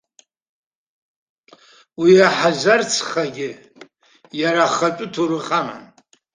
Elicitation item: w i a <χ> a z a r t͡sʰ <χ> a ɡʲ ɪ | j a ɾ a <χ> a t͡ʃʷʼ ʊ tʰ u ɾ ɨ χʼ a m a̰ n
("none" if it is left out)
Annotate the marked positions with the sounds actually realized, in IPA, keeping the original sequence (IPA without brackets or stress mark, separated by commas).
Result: ħ, χ, χ